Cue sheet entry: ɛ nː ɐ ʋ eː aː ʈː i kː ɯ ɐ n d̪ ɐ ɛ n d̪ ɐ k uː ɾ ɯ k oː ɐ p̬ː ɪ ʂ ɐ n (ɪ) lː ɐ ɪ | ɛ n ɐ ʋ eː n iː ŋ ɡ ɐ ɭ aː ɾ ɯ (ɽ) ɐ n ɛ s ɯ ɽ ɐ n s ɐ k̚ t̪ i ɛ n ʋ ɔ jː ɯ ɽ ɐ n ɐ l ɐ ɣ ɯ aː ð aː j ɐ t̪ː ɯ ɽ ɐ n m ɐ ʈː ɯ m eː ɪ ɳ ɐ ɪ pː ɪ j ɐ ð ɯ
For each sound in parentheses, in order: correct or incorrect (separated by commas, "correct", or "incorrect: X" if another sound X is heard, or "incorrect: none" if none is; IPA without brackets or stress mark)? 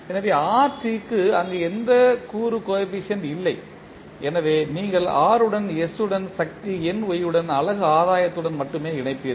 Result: correct, correct